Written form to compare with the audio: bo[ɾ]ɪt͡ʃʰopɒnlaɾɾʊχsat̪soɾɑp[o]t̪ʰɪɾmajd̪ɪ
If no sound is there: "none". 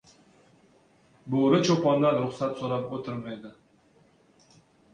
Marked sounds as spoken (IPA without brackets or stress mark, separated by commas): ɾ, o